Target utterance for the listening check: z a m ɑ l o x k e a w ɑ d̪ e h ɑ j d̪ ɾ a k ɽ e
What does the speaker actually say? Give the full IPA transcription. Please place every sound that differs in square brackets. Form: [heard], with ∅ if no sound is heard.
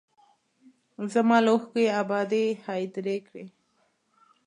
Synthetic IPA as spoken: z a m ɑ l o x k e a [b] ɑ d̪ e h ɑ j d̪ ɾ [e] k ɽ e